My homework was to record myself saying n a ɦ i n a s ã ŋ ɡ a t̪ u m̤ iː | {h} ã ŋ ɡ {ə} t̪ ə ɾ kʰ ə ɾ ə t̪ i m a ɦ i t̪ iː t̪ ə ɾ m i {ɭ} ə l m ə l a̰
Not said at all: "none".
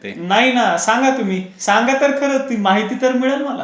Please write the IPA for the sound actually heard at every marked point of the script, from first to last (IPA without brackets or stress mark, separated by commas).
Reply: s, a, ɭ